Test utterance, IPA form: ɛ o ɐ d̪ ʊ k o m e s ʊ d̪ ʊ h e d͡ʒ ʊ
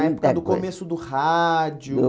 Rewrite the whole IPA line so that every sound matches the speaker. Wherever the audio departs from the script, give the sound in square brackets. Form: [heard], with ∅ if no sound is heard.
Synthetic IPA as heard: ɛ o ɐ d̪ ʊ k o m e s ʊ d̪ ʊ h [a] d͡ʒ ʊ